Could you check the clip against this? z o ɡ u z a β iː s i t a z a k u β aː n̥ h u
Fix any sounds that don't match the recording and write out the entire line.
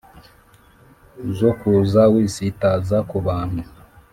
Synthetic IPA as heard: z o k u z a w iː s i t a z a k u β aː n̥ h u